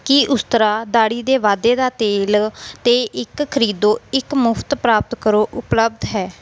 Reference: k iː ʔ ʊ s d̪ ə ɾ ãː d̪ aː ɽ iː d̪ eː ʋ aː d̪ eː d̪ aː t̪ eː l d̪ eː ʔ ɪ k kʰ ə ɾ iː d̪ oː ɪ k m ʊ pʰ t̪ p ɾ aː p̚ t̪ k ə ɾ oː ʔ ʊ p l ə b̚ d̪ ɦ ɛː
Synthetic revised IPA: k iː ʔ ʊ s t̪ ə ɾ aː d̪ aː ɽ iː d̪ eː ʋ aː d̪ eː d̪ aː t̪ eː l t̪ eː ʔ ɪ k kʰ ə ɾ iː d̪ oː ɪ k m ʊ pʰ t̪ p ɾ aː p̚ t̪ k ə ɾ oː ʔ ʊ p l ə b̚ d̪ ɦ ɛː